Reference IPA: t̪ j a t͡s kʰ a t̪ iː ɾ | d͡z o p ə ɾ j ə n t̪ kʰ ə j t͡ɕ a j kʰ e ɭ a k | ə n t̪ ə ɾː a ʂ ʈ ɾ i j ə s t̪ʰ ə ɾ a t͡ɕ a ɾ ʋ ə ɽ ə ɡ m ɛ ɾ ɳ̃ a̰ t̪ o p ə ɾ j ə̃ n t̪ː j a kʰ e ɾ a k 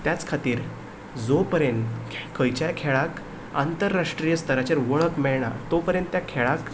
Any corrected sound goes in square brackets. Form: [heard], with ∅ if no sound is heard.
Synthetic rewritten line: t̪ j a t͡s kʰ a t̪ iː ɾ | d͡z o p ə ɾ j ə n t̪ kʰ ə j t͡ɕ a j kʰ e ɭ a k | [a] n t̪ ə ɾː a ʂ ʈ ɾ i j ə s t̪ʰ ə ɾ a t͡ɕ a ɾ ʋ ə [ɭ] ə [k] m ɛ [ɭ] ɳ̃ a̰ t̪ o p ə ɾ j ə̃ n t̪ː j a kʰ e [ɭ] a k